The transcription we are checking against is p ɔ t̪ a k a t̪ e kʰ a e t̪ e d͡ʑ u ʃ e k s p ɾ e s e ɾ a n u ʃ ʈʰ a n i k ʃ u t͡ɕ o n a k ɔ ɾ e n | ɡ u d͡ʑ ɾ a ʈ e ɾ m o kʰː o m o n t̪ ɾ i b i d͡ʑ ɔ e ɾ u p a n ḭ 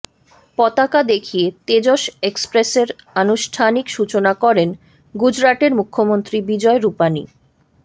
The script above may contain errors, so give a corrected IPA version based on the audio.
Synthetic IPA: p ɔ t̪ a k a d̪ e kʰ i e t̪ e d͡ʑ o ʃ e k s p ɾ e s e ɾ a n u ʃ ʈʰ a n i k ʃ u t͡ɕ o n a k ɔ ɾ e n | ɡ u d͡ʑ ɾ a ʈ e ɾ m u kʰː o m o n t̪ ɾ i b i d͡ʑ ɔ e ɾ u p a n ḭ